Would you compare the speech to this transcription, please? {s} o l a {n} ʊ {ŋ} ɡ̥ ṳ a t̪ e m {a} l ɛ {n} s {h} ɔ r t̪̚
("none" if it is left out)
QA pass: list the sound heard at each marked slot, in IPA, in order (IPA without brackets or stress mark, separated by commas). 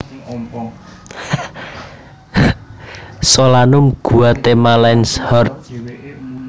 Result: s, n, m, a, n, h